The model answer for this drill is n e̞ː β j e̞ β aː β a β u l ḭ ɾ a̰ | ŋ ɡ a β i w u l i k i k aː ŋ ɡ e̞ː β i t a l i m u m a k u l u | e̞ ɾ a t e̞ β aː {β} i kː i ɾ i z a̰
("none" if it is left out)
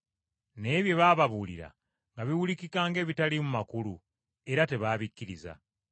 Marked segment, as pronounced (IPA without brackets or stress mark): β